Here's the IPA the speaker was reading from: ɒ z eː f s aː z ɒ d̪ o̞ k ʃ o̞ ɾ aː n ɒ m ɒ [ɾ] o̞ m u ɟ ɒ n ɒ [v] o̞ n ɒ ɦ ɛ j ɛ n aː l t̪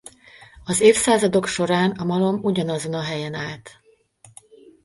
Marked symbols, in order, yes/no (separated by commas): no, no